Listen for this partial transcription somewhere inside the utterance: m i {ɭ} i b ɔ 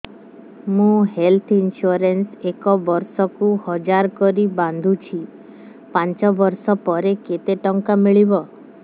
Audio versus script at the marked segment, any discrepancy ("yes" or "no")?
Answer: no